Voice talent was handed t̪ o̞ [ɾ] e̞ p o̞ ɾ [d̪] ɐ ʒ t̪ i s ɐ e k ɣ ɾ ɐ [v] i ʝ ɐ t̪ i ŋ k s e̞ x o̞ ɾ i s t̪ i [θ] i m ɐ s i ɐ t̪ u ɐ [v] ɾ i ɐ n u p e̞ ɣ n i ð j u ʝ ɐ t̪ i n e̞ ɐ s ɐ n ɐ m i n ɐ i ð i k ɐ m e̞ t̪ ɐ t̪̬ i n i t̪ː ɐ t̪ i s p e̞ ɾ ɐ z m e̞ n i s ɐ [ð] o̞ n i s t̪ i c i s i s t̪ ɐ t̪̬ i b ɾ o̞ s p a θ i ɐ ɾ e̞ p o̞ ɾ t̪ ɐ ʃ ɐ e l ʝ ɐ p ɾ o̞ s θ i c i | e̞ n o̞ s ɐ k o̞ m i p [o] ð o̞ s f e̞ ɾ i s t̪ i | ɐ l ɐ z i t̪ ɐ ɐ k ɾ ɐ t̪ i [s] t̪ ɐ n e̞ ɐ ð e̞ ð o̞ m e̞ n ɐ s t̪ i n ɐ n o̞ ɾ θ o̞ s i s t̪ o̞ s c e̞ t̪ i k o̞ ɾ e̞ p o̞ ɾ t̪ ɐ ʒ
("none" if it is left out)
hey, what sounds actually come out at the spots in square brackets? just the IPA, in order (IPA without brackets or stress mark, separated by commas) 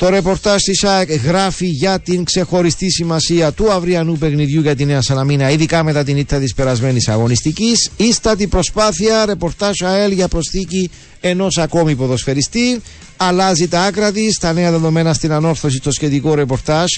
ɾ, t̪, f, s, v, ɣ, o, s